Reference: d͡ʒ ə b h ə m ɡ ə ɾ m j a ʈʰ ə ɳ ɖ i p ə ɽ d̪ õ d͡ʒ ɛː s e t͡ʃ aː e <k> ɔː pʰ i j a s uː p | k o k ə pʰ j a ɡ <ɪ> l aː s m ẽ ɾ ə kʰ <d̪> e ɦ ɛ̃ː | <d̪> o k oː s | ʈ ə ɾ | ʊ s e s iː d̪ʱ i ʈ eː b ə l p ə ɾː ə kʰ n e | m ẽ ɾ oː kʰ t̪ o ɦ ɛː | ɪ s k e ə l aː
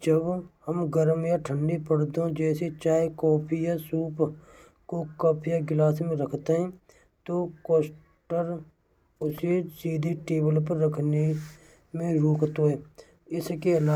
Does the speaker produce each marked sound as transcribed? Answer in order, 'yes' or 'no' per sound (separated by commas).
yes, yes, no, no